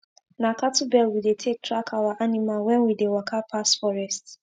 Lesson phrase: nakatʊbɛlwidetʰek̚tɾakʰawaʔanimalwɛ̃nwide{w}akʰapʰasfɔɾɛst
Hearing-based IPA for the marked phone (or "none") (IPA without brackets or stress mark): w